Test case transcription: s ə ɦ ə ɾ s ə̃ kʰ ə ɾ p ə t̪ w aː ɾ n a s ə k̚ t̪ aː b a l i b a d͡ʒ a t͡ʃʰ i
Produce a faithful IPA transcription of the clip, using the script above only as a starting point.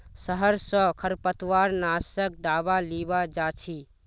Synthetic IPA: s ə ɦ ə ɾ s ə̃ kʰ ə ɾ p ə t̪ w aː ɾ n a s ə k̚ d̪ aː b a l i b a d͡ʒ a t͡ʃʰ i